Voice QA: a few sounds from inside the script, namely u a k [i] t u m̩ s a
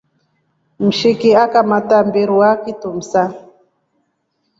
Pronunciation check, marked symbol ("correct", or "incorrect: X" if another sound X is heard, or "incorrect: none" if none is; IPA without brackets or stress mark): correct